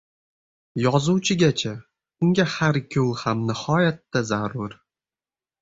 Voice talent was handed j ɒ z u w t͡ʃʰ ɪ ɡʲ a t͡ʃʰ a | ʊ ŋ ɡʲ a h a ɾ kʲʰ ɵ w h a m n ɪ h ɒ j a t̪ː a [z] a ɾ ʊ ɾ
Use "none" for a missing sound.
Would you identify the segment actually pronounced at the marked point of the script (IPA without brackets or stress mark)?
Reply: z